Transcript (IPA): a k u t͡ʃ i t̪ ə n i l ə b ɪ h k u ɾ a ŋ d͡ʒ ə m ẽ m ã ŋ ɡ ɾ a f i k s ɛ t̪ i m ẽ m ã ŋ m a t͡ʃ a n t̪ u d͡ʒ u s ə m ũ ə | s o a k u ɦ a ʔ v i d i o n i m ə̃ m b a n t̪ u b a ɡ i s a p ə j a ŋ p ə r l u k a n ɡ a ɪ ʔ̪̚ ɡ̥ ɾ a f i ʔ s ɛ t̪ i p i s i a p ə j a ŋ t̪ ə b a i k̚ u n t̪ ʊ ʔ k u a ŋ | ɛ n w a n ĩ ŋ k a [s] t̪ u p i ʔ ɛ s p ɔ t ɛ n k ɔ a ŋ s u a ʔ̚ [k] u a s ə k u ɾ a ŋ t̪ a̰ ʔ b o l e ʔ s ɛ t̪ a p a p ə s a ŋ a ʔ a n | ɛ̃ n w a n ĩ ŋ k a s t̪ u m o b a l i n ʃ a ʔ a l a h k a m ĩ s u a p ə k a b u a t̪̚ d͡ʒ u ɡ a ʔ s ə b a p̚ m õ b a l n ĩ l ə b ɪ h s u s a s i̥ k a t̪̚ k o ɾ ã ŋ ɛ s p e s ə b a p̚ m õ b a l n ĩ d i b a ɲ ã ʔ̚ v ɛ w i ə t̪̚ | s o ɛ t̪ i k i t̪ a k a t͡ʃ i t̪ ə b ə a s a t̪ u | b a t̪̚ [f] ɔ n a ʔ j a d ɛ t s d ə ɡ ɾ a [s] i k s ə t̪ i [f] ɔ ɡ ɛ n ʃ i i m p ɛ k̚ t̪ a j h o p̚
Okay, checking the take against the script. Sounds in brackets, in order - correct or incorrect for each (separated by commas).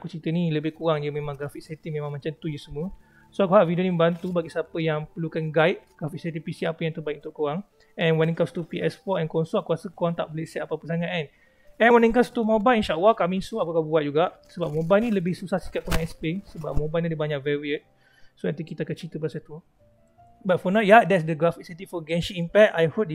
correct, correct, correct, incorrect, correct